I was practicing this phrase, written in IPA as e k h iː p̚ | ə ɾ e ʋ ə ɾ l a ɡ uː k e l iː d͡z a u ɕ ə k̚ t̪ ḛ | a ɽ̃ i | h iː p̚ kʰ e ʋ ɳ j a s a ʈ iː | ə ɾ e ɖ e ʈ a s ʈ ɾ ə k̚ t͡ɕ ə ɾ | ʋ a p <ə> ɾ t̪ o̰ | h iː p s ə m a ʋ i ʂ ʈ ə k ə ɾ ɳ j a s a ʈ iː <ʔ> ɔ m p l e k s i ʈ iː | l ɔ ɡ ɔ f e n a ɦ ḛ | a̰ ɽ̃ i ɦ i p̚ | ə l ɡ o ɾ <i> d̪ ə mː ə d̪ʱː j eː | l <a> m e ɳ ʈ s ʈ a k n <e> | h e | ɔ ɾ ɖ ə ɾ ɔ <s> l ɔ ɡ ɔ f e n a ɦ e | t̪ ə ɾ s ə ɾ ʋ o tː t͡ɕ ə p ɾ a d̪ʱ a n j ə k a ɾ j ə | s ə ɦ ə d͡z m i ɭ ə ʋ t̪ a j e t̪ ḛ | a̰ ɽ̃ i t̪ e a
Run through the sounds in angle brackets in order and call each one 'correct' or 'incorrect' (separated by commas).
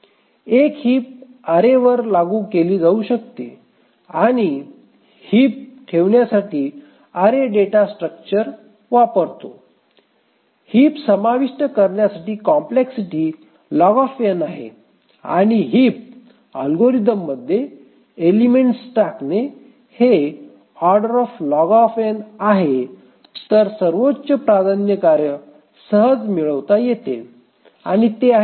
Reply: correct, incorrect, correct, incorrect, correct, incorrect